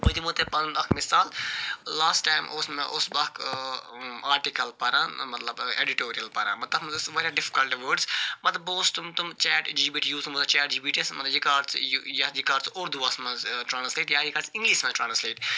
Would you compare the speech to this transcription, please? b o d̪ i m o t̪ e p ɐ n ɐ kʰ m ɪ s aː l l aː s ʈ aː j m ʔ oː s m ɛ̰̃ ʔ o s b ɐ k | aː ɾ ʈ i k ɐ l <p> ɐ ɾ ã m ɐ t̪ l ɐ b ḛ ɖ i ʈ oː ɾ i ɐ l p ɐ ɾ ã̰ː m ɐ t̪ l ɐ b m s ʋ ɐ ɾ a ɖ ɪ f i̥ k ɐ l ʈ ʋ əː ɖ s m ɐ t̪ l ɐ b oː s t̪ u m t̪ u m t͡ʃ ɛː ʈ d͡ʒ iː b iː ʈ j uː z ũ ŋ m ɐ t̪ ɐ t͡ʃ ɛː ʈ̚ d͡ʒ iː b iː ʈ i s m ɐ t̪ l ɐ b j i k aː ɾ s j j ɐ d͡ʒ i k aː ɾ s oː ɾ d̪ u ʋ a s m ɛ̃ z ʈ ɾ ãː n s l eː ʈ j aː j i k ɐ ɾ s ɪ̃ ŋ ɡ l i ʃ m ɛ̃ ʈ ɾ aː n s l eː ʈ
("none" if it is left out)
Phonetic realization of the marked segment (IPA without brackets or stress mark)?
p